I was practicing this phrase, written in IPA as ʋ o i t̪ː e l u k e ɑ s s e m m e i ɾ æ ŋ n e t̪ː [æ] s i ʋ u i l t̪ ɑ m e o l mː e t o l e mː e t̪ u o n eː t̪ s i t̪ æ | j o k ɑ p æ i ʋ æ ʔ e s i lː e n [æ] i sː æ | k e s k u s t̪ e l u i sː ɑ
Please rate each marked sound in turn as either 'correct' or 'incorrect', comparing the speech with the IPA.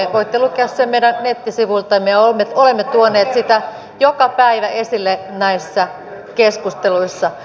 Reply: incorrect, correct

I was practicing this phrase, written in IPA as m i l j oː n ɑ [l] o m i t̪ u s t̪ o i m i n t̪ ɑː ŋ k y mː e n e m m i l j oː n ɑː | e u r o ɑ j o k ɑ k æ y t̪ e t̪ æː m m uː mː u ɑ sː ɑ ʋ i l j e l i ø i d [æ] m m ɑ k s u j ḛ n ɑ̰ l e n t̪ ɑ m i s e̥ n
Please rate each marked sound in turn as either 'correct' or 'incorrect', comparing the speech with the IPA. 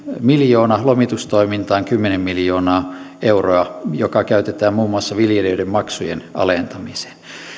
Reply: correct, incorrect

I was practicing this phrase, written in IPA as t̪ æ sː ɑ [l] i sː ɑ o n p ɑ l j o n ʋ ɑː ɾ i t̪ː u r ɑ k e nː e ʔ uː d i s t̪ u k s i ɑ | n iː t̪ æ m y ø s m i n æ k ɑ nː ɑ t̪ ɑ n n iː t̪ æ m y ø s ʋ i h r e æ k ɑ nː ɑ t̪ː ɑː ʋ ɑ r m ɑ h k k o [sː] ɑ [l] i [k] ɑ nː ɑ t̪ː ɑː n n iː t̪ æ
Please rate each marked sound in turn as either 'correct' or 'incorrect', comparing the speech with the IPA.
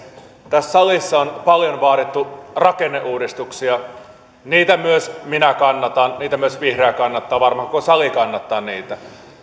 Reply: correct, incorrect, correct, correct

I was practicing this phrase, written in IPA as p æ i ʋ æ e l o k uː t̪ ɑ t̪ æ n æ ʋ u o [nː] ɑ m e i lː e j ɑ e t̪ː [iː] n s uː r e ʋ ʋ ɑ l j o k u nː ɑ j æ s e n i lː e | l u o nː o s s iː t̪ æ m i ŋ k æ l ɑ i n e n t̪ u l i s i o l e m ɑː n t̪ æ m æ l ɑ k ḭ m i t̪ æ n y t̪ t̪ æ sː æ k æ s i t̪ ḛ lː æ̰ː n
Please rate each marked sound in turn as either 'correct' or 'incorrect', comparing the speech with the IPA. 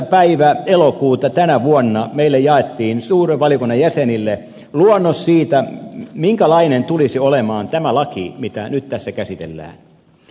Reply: correct, correct

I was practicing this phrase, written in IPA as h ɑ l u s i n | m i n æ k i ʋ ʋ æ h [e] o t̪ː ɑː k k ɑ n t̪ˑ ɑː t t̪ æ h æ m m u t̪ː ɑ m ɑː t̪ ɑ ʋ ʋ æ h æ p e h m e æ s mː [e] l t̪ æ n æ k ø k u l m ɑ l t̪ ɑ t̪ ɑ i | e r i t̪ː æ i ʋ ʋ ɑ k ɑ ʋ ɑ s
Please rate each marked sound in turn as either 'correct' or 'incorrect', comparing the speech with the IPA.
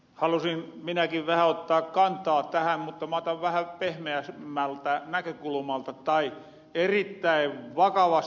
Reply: incorrect, incorrect

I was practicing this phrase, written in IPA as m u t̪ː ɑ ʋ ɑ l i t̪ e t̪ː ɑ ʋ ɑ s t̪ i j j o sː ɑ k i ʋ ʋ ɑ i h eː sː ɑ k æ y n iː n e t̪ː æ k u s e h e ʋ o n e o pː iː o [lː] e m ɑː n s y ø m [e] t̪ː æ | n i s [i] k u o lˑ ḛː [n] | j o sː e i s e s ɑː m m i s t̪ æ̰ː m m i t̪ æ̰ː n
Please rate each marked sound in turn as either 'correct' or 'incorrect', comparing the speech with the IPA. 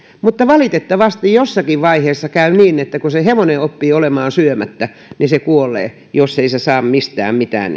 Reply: incorrect, incorrect, incorrect, incorrect

